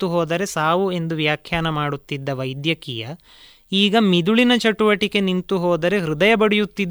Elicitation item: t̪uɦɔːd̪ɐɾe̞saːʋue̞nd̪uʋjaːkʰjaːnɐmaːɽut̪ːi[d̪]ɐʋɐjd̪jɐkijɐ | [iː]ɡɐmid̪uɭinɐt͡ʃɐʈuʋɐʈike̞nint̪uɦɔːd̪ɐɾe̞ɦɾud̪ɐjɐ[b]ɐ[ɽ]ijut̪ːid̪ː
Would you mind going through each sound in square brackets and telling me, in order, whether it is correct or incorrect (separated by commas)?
incorrect, correct, correct, correct